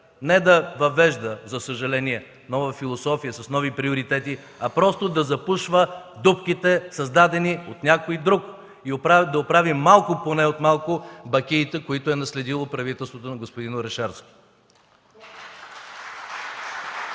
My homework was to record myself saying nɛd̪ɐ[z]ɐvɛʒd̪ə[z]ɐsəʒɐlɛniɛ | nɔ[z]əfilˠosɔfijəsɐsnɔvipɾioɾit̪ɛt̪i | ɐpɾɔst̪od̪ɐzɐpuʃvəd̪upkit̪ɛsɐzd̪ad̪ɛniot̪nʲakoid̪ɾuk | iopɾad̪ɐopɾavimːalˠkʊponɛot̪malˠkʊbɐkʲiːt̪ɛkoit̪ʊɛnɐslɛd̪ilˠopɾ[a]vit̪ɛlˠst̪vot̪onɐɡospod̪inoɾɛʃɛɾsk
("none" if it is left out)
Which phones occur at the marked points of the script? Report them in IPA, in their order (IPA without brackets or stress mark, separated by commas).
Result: v, z, v, ɐ